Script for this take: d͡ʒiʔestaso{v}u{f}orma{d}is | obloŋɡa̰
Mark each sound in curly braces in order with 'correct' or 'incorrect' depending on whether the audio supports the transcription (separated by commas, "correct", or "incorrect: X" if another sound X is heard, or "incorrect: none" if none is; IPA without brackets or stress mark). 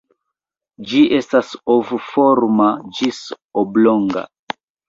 correct, correct, incorrect: d͡ʒ